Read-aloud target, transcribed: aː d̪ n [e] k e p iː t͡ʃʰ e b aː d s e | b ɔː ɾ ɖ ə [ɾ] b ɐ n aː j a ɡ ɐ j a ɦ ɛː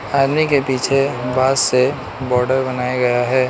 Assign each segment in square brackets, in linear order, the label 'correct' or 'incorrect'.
incorrect: i, correct

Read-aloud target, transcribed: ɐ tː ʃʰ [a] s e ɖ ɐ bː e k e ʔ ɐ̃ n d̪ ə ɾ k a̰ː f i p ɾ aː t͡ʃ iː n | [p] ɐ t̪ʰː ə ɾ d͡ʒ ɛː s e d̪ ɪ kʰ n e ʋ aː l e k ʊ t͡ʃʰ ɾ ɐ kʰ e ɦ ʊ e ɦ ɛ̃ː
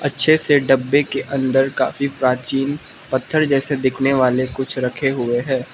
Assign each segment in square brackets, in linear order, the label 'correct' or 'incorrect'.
incorrect: e, correct

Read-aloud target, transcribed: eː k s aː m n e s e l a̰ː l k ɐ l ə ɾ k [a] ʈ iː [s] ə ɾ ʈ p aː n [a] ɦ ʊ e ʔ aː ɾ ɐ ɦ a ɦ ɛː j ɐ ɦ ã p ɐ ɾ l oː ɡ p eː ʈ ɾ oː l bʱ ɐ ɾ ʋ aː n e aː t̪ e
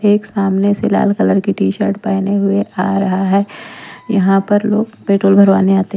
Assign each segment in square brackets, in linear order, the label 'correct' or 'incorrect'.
incorrect: i, incorrect: ʃ, incorrect: e

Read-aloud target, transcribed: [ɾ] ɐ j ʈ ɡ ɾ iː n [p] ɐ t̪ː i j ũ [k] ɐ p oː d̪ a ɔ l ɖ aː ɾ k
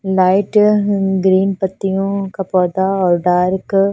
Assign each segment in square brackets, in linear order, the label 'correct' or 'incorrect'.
incorrect: l, correct, correct

